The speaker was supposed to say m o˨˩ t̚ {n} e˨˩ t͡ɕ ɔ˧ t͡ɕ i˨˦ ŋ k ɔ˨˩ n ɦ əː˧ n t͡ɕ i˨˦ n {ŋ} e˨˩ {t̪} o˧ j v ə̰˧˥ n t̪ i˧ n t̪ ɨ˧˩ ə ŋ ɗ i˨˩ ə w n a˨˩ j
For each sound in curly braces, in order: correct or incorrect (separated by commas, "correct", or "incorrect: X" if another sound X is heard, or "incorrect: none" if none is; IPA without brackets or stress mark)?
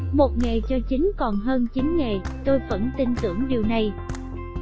incorrect: ŋ, correct, correct